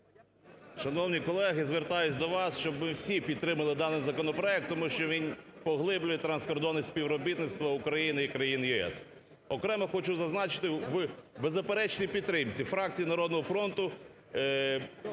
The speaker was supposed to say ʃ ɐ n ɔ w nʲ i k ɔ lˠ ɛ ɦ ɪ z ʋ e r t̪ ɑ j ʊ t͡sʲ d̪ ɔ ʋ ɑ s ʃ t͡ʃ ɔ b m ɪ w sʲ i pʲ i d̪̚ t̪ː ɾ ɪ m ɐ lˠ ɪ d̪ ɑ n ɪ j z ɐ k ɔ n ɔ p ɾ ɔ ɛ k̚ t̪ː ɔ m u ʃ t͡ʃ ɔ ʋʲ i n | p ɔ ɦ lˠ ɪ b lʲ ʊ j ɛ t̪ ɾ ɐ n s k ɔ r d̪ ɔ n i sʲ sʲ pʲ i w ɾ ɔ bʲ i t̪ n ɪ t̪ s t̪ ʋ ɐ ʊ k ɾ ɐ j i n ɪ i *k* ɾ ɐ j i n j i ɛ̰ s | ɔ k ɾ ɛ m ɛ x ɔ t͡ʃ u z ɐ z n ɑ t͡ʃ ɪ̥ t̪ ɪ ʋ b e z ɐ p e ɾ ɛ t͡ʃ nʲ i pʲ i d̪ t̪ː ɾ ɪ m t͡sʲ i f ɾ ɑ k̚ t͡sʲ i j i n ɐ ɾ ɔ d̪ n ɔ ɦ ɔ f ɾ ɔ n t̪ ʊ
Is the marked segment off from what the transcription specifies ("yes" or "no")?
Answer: no